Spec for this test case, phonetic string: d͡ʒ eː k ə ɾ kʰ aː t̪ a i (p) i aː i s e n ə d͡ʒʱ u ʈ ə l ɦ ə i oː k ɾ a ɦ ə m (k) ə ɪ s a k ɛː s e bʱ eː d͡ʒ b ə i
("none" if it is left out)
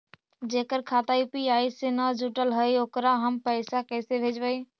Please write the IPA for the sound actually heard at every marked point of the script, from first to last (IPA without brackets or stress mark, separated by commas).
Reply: p, p